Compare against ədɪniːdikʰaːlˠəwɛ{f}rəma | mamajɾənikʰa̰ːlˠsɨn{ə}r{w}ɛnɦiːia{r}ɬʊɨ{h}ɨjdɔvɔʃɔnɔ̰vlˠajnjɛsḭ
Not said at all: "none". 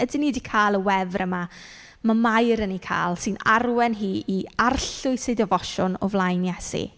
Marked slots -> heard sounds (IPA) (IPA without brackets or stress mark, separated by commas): v, a, w, r, s